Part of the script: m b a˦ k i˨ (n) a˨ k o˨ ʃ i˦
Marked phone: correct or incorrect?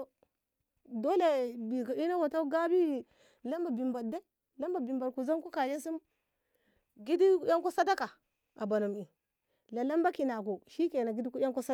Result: correct